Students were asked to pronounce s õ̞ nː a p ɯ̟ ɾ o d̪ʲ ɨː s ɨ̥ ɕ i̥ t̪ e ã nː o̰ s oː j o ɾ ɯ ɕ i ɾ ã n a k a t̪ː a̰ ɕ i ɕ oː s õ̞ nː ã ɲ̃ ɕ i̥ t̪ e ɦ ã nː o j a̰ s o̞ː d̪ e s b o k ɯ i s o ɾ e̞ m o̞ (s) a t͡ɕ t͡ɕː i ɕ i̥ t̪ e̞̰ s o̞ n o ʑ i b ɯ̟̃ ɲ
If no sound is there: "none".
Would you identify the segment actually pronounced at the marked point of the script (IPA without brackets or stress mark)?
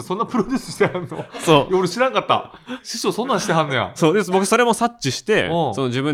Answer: s